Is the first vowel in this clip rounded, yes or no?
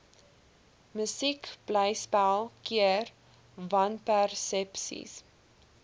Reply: no